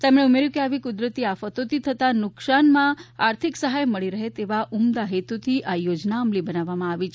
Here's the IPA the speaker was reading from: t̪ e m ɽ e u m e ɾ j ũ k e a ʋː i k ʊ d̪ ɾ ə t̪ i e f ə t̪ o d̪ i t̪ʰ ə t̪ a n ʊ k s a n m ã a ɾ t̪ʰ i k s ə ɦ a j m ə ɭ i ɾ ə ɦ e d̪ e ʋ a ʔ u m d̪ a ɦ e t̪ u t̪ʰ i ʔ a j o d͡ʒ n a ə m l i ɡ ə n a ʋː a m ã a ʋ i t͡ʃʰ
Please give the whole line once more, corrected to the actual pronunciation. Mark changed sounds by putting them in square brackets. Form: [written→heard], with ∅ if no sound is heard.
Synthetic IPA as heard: t̪ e m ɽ e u m e ɾ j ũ k e a [ʋː→ʋ] i k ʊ d̪ ɾ ə t̪ i [e→a] f ə t̪ o [d̪→t̪] i t̪ʰ ə t̪ a n ʊ k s a n m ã a ɾ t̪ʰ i k s ə ɦ a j m ə ɭ i ɾ ə ɦ e [d̪→t̪] e ʋ a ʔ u m d̪ a ɦ e t̪ u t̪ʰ i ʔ a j o d͡ʒ n a ə m l i [ɡ→b] ə n a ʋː a m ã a ʋ i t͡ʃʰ